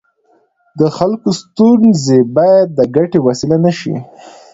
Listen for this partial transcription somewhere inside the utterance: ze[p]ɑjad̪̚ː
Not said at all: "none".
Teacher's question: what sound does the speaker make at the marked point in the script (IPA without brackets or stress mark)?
b